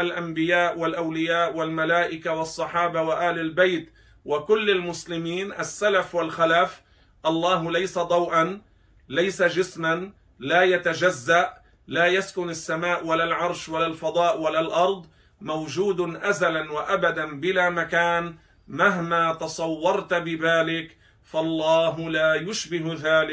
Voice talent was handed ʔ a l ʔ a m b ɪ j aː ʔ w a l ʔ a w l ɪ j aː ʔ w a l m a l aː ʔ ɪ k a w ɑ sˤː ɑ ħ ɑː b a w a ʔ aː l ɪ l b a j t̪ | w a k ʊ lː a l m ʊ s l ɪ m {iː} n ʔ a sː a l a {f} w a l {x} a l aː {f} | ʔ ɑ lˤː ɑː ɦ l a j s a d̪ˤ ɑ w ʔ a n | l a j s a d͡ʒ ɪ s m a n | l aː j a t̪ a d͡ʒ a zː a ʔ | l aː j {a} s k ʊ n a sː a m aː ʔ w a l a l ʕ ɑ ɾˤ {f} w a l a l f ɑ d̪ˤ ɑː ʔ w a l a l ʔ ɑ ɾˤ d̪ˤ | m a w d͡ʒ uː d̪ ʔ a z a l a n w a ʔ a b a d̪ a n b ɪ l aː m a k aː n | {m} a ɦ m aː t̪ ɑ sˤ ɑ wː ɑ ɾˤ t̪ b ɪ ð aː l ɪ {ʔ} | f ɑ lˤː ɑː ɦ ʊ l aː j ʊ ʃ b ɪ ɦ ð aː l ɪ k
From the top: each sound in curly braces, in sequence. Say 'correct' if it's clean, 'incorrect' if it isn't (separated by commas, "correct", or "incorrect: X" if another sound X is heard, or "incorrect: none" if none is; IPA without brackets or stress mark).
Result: correct, correct, correct, correct, correct, incorrect: ʃ, correct, incorrect: k